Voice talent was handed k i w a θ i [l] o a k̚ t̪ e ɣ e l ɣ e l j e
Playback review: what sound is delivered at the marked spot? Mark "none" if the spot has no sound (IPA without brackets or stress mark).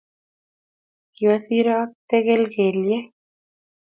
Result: ɾ